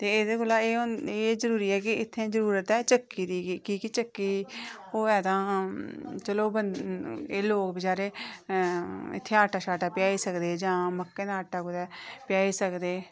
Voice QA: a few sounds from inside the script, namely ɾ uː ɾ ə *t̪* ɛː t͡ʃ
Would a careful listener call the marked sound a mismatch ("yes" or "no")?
no